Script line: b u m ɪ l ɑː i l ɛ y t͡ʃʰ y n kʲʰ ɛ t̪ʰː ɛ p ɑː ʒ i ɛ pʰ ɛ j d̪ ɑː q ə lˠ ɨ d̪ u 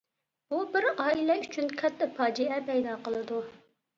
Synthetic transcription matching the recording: b u b ɪ ɾ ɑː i l ɛ y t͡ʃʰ y n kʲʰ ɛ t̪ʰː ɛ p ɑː d͡ʒ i ɛ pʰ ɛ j d̪ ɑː q ə lˠ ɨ d̪ u